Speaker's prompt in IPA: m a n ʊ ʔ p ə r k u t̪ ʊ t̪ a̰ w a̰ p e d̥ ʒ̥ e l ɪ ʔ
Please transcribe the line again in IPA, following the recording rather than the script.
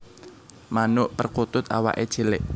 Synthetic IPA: m a n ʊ ʔ p ə r k u t̪ ʊ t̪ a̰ w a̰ ʔ e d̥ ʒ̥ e l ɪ ʔ